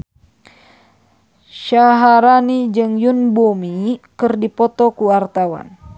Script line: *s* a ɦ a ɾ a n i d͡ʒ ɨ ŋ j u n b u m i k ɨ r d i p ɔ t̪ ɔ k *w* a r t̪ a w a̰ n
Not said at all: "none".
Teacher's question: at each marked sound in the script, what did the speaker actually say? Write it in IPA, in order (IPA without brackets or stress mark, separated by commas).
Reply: ʃ, u